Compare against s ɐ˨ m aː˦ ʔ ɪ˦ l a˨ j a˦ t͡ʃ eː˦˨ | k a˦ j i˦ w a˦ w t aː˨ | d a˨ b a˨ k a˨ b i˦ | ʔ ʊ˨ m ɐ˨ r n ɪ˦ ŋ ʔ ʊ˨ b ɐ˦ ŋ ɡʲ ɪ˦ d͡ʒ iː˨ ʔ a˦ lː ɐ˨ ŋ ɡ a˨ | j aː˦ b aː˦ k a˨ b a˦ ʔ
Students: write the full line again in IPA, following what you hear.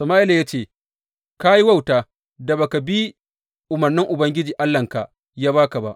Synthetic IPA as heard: s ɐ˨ m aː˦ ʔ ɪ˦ l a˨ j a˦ t͡ʃ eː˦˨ | k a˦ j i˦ w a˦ w t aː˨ | d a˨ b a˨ k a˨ b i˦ | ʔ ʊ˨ m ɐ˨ r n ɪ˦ ŋ ʔ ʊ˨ b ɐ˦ ŋ ɡʲ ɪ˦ d͡ʒ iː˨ ʔ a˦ lː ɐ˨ ŋ k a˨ | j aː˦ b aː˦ k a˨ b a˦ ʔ